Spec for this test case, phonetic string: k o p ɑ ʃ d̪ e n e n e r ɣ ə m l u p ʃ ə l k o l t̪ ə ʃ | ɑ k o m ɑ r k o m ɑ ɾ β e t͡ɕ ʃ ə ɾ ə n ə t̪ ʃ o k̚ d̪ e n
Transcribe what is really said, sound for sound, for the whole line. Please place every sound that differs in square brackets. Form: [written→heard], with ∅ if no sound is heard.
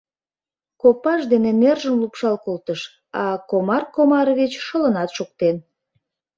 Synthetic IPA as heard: k o p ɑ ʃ d̪ e n e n e r [ɣ→ʒ] ə m l u p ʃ [ə→ɑ] l k o l t̪ ə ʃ | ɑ k o m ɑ r k o m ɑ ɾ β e t͡ɕ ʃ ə [ɾ→l] ə n [ə→ɑ] t̪ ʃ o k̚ [d̪→t̪] e n